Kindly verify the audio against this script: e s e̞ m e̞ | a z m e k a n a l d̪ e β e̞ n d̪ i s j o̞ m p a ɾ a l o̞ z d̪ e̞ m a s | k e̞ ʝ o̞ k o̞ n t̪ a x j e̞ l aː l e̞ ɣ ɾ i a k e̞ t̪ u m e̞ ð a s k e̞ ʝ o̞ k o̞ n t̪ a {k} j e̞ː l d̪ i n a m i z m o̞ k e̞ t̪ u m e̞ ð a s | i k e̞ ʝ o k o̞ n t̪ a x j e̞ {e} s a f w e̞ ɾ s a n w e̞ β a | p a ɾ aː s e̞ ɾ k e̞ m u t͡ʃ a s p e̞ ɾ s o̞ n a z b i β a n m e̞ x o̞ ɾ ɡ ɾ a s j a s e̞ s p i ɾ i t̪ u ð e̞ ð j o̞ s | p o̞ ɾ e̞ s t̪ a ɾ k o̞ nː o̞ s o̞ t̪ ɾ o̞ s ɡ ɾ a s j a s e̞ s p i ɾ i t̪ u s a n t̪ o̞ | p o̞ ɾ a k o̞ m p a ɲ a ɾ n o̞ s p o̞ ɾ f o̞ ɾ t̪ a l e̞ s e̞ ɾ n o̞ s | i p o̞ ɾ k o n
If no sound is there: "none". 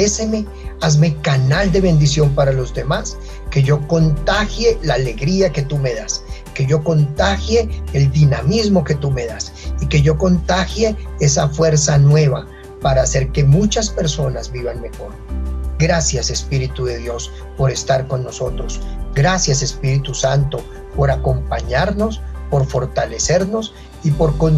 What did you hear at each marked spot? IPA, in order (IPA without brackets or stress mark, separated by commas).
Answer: x, e